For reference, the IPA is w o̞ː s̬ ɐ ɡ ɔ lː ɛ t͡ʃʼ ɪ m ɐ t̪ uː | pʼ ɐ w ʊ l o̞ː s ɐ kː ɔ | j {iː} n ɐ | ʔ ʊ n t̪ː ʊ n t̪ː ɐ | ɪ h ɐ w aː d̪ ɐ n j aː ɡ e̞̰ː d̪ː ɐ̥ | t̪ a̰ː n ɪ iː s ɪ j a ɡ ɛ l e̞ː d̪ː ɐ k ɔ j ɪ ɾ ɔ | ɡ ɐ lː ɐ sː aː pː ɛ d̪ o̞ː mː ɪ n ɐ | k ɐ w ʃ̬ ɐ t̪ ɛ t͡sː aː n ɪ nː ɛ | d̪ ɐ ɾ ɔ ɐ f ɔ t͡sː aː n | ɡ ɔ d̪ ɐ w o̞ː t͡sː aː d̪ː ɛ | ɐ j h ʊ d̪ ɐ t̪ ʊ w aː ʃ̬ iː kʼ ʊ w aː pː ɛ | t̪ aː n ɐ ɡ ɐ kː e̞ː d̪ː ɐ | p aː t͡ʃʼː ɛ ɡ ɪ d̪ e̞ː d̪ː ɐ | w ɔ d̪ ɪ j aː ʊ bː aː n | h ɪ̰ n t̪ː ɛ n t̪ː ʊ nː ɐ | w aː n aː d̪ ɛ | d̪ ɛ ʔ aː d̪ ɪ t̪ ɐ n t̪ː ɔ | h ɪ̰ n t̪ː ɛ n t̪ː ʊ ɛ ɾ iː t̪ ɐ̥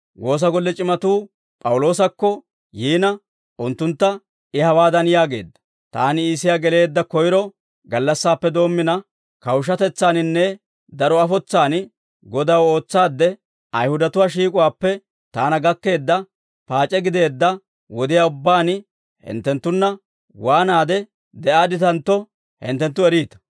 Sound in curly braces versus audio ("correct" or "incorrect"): correct